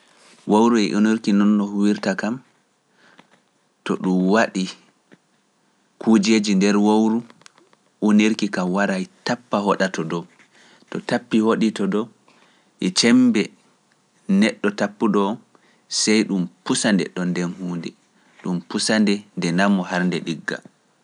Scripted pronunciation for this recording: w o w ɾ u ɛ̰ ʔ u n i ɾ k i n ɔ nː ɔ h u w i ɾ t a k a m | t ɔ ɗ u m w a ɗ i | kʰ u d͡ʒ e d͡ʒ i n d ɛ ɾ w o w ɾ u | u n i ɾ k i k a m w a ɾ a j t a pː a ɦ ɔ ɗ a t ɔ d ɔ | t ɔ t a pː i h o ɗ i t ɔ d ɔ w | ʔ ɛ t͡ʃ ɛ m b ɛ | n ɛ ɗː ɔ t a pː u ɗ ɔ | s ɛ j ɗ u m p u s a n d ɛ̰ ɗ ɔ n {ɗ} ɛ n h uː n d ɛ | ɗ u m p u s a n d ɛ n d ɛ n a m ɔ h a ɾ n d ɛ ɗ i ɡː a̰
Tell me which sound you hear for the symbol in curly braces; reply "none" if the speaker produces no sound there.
d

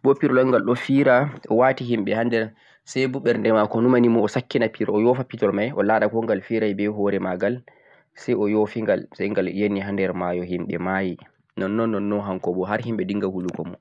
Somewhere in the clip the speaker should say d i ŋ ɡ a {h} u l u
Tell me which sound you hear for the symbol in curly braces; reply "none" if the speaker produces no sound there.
h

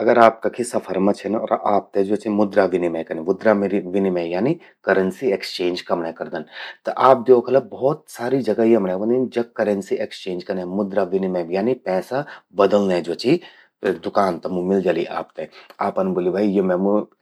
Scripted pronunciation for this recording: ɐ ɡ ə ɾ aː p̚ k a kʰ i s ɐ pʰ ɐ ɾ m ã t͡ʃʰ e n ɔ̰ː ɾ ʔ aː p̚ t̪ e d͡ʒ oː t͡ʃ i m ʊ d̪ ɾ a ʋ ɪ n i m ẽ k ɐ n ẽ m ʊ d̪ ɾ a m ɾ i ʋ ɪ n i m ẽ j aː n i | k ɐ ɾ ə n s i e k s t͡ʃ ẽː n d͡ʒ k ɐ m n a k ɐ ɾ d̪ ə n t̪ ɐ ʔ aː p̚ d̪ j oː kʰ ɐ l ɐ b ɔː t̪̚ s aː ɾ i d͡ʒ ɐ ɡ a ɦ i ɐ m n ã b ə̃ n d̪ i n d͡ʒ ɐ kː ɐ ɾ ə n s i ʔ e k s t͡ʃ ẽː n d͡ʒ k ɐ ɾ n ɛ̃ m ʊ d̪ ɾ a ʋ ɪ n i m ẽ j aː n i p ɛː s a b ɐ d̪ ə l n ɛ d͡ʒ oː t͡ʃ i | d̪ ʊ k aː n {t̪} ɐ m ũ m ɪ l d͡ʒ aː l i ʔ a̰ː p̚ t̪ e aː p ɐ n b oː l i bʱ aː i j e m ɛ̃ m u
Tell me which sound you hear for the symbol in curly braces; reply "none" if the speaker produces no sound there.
t̪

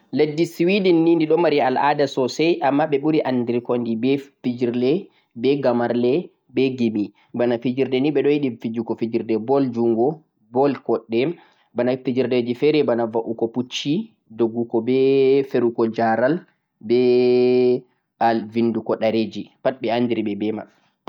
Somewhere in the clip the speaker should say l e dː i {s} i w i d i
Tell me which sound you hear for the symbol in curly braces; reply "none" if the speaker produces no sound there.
s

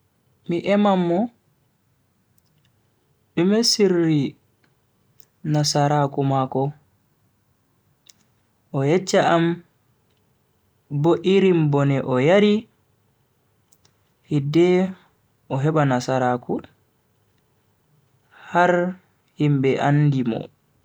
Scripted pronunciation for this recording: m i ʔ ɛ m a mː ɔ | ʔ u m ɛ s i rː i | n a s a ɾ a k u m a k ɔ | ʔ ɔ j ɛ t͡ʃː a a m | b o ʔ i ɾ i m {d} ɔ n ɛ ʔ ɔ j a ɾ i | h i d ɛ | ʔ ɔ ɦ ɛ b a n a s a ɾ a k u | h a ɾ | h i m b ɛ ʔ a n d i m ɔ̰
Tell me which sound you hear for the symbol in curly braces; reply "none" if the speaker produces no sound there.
b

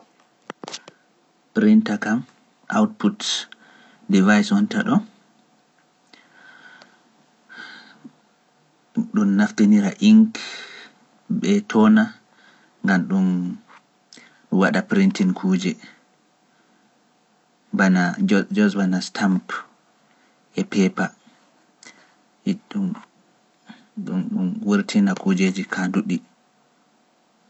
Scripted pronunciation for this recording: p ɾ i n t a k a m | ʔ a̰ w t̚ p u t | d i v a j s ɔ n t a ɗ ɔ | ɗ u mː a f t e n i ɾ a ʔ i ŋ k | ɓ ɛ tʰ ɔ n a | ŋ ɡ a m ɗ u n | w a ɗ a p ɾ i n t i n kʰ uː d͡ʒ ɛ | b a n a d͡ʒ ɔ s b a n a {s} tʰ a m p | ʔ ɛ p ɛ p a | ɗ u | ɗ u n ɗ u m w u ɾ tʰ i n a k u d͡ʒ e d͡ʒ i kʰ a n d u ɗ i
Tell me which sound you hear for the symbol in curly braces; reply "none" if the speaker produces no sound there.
s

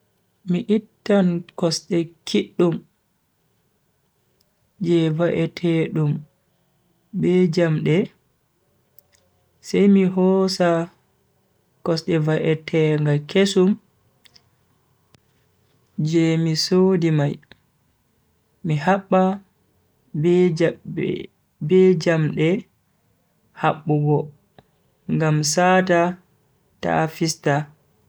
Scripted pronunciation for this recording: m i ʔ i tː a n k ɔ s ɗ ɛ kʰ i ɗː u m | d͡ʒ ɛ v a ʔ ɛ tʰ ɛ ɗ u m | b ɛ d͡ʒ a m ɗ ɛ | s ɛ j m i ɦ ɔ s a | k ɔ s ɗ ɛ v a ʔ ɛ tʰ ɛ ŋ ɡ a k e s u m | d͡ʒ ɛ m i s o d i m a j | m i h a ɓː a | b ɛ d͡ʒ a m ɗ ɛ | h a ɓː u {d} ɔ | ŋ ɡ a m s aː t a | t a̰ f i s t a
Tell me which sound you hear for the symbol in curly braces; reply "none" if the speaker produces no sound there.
ɡ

